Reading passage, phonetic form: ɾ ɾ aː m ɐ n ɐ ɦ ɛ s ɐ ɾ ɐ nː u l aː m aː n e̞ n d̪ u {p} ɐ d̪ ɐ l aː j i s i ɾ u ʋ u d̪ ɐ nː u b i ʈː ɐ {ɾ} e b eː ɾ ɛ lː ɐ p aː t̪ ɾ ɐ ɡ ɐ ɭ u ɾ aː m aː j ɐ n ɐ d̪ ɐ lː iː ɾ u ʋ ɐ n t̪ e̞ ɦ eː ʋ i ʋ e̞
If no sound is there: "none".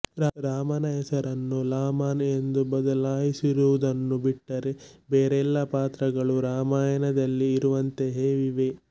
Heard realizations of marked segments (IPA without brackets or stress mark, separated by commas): b, ɾ